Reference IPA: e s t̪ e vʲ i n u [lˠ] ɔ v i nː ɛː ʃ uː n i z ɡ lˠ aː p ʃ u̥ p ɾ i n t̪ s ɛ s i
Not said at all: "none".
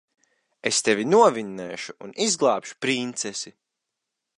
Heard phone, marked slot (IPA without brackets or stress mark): none